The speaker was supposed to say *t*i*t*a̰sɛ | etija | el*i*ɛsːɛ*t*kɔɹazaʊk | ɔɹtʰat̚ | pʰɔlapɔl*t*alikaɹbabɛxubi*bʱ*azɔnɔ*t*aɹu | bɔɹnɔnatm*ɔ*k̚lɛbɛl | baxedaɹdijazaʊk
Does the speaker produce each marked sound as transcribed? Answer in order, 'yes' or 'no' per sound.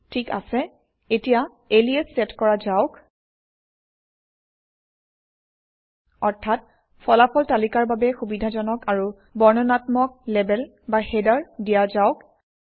no, no, yes, yes, yes, no, no, yes

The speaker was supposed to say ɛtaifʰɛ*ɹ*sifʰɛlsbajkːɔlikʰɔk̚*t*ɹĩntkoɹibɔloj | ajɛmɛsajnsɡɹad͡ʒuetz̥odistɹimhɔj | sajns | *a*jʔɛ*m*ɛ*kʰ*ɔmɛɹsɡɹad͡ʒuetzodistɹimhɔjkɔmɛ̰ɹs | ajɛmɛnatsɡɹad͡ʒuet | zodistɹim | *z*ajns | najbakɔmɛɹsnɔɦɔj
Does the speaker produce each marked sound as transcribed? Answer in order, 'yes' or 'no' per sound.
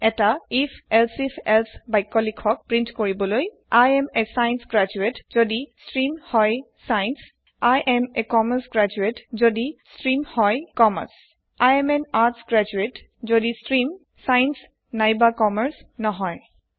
no, no, yes, yes, no, no

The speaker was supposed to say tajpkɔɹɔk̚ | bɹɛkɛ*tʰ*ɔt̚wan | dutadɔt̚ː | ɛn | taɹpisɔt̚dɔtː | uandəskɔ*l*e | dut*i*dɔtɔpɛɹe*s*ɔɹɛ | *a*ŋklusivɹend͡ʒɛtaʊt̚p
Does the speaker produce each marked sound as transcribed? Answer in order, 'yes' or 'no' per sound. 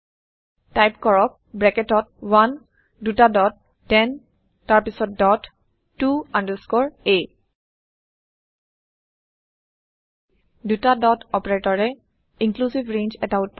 no, no, no, no, no

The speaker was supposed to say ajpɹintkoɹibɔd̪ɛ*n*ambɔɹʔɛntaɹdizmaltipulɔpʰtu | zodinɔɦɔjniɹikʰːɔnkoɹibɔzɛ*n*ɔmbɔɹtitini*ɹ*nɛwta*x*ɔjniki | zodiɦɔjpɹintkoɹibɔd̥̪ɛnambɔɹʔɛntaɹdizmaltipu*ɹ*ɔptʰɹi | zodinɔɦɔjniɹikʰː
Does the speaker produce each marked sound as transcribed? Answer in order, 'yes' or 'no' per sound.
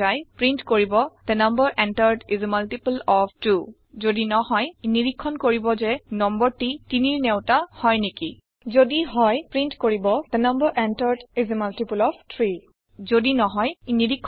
yes, yes, yes, no, no

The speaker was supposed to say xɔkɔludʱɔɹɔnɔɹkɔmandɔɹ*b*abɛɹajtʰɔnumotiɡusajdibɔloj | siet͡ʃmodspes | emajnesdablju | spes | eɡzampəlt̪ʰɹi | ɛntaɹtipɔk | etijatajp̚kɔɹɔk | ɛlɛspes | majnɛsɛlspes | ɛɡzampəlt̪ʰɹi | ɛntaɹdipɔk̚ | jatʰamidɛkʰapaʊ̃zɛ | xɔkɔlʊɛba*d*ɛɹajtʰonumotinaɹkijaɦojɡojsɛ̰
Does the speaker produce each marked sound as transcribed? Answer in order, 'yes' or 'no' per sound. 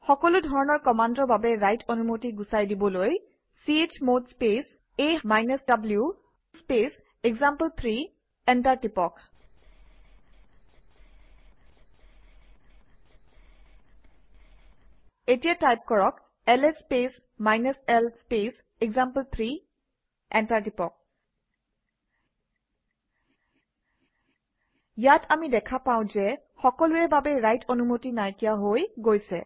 yes, no

